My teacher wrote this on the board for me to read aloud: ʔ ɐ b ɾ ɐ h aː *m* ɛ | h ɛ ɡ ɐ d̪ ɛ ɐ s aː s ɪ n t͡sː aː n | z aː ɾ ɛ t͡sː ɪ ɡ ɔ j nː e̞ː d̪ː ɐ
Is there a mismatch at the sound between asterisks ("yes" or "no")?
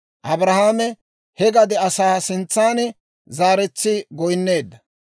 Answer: no